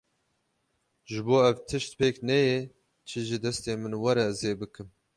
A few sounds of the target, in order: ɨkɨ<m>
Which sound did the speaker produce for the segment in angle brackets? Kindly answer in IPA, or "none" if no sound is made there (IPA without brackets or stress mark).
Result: m